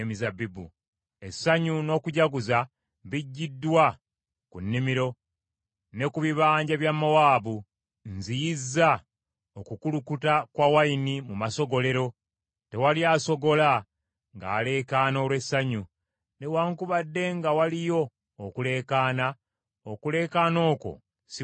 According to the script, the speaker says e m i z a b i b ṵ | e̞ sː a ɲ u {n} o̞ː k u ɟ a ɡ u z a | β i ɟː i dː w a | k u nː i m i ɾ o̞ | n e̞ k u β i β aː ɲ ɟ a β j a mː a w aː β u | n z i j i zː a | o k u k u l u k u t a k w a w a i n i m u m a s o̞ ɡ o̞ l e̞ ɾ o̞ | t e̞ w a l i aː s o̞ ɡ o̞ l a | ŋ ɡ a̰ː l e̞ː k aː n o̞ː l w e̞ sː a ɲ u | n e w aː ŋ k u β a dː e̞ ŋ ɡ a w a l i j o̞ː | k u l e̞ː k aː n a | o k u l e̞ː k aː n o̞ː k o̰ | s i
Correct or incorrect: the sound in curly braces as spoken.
correct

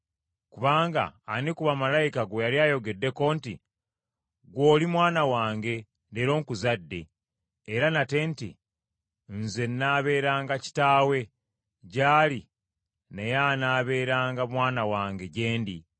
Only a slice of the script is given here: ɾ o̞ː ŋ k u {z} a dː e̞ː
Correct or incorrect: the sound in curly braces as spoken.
correct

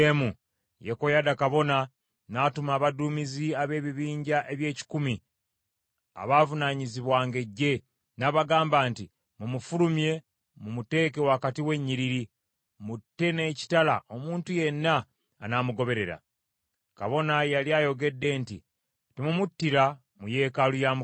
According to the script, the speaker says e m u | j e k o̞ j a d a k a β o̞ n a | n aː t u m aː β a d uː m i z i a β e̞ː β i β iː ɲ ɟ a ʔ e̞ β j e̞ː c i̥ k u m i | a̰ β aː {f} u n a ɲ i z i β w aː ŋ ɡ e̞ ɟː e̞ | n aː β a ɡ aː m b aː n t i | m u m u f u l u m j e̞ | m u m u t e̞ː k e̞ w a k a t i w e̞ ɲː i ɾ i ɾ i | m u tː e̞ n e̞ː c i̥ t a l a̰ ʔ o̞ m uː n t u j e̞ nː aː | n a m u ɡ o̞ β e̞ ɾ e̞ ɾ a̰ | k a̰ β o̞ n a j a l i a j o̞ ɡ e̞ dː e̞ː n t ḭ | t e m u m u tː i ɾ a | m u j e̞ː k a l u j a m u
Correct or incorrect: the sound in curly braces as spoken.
incorrect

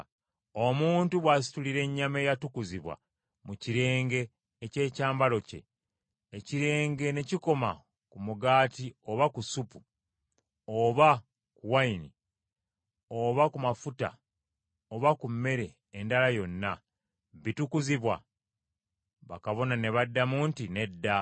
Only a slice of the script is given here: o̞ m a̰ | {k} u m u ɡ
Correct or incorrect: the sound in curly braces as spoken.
correct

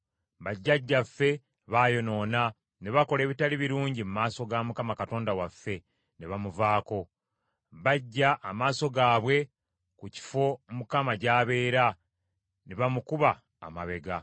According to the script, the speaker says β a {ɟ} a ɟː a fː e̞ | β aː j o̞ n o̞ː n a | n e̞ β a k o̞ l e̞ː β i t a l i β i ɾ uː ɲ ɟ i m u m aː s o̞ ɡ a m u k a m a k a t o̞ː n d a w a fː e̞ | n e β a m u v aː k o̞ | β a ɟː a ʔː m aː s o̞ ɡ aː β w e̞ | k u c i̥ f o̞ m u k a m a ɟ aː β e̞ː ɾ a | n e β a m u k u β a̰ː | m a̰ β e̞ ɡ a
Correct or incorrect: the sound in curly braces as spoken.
incorrect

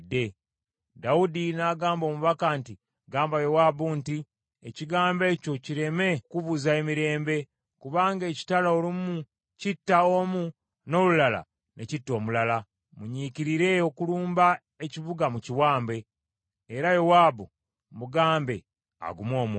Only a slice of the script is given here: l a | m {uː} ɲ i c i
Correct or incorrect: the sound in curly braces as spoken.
incorrect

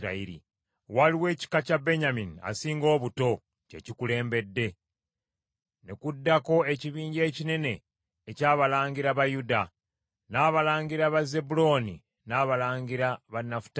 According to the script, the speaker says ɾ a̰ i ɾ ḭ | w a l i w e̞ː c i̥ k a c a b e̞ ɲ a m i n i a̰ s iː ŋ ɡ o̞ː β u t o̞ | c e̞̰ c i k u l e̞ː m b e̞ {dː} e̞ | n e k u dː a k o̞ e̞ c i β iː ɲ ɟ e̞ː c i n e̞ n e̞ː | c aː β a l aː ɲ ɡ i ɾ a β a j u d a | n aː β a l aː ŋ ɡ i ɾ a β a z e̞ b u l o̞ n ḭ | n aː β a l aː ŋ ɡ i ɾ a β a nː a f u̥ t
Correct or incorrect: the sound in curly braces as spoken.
correct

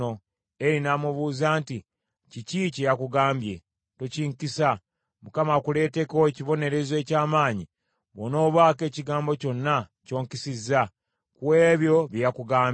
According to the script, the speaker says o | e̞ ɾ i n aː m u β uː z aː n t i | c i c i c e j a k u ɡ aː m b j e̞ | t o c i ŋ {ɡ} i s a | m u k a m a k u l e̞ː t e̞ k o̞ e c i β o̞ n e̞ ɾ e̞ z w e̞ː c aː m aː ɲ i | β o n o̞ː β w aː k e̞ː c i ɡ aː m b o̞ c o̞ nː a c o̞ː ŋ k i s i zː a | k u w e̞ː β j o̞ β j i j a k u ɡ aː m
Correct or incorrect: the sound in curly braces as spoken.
incorrect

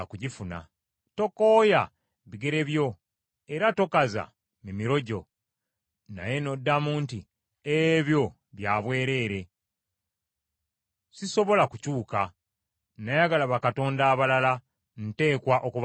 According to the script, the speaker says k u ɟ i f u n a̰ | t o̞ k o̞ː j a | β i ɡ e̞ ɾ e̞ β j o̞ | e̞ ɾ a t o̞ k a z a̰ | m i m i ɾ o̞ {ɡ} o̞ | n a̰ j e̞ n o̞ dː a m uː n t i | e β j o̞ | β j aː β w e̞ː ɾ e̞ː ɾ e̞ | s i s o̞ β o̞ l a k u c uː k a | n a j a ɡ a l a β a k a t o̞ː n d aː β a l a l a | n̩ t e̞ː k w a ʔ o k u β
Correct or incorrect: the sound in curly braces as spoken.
incorrect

